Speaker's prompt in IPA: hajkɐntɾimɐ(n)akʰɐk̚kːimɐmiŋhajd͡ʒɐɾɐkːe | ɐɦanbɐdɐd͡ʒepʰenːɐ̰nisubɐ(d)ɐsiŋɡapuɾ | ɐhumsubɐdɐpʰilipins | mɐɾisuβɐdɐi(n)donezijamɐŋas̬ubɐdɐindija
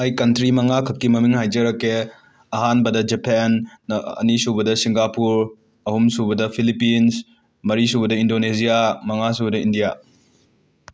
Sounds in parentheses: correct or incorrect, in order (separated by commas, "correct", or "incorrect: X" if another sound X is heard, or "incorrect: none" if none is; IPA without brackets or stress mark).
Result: incorrect: ŋ, correct, correct